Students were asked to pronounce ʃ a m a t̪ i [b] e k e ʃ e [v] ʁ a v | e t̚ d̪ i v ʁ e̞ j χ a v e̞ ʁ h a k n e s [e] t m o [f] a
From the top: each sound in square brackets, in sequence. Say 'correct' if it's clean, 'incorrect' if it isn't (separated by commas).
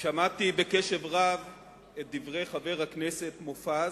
correct, correct, correct, correct